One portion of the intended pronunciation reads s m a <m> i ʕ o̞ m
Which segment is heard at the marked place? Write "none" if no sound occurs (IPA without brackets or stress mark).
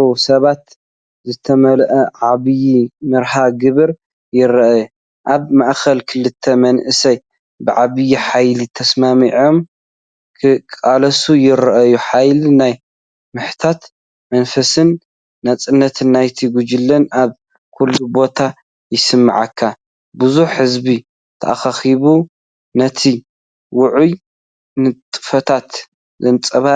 m